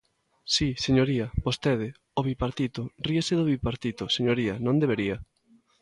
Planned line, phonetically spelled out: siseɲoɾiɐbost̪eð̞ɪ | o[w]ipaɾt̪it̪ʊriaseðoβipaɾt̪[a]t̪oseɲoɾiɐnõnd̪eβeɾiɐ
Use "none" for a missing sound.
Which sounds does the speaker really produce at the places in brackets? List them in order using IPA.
β, i

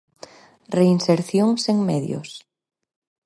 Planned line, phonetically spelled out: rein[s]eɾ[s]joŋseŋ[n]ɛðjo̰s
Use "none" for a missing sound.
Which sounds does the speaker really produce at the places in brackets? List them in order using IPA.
s, θ, m

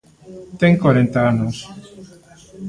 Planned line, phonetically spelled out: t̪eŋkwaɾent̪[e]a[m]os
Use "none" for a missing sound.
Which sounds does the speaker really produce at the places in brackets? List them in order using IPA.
a, n

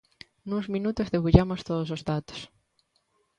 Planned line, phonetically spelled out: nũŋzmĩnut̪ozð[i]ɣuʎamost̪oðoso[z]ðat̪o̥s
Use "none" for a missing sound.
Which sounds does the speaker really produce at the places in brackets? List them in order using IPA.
e, z

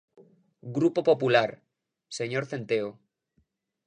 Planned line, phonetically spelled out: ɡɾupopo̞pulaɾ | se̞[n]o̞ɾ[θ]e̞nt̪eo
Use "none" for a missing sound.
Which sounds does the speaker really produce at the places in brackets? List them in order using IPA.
ɲ, θ

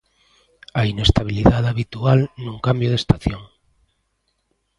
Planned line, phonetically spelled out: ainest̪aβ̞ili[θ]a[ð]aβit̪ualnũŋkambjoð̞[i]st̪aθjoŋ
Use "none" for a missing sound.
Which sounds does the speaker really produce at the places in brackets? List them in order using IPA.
ð, ð, e

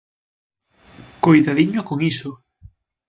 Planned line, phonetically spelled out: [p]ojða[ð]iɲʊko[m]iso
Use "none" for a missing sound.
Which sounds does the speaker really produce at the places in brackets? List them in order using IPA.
k, ð, ŋ

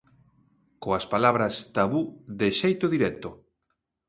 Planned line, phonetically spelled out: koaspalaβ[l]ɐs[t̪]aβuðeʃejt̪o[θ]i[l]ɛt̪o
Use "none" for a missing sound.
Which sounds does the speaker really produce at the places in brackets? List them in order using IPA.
ɾ, t̪, ð, ɾ

